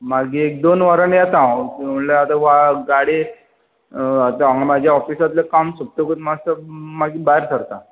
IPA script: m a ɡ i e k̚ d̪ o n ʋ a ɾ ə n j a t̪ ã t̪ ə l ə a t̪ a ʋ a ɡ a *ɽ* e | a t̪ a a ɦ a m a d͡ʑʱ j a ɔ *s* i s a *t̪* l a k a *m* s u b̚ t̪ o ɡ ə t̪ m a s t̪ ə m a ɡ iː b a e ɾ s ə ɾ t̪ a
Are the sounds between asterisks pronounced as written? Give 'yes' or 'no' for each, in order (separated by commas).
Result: yes, no, yes, yes